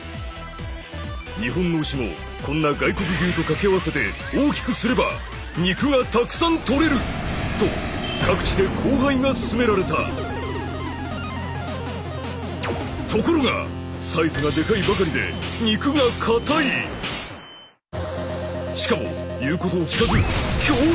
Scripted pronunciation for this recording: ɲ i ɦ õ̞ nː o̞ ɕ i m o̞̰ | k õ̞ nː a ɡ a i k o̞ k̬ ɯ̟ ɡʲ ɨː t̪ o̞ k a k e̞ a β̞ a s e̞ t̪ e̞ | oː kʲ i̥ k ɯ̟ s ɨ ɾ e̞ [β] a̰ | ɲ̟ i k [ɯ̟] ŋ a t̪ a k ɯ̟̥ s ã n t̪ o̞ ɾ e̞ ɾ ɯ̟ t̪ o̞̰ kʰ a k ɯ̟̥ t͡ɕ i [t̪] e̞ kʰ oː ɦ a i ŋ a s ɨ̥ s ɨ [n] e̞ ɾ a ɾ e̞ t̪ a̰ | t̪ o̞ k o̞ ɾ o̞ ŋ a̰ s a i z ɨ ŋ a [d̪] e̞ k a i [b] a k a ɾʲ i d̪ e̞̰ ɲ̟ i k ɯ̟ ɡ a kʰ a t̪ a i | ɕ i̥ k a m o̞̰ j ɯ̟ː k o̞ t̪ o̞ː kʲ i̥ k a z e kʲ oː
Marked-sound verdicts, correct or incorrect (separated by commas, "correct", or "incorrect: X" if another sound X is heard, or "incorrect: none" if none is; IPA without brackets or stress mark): incorrect: b, correct, incorrect: d̪, incorrect: m, correct, correct